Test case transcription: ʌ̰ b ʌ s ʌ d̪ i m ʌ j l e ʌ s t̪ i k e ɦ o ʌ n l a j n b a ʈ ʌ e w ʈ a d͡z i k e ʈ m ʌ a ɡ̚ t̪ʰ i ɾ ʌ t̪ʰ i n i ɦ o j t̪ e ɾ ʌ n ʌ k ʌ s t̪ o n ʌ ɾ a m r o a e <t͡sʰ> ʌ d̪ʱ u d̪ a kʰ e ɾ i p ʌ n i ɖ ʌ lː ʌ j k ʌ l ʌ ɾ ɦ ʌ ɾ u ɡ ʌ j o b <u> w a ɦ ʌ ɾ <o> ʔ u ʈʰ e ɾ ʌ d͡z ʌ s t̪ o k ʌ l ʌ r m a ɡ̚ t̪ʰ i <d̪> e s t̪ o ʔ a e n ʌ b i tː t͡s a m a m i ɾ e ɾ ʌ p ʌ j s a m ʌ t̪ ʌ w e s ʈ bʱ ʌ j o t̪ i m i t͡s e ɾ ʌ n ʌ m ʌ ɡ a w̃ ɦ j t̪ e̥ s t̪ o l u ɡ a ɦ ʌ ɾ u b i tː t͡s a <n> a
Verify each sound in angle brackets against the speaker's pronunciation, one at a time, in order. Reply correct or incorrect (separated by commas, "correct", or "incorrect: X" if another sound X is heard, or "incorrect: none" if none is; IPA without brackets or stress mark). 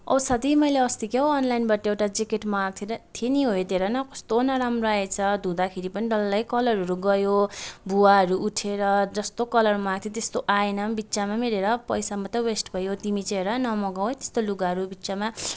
correct, correct, incorrect: u, incorrect: t̪, incorrect: m